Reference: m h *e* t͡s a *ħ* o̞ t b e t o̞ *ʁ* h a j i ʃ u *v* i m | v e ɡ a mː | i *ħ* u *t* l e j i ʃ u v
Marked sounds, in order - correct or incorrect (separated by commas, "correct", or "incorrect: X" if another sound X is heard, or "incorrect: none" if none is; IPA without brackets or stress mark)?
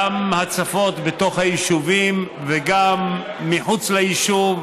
incorrect: a, incorrect: f, incorrect: χ, correct, correct, incorrect: t͡s